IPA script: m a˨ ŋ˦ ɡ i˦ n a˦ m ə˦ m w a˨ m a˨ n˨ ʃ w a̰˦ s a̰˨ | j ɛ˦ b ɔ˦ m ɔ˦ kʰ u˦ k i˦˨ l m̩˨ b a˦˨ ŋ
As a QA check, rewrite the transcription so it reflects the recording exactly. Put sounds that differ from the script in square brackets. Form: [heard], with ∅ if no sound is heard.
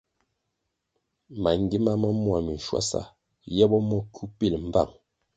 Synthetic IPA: m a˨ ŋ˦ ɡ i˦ [m] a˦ m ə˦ m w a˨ m [i˨] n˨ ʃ w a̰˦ s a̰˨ | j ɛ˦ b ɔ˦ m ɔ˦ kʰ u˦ [p] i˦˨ l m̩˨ b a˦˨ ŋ